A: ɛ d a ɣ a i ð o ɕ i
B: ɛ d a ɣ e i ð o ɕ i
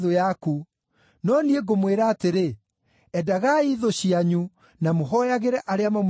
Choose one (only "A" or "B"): A